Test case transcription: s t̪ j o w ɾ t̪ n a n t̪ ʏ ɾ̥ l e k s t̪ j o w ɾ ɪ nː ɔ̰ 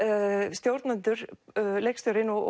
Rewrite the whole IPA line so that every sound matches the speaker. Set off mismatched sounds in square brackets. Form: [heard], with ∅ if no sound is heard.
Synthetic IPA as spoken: s t̪ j o w ɾ t̪ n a n t̪ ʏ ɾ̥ l e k s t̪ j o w ɾ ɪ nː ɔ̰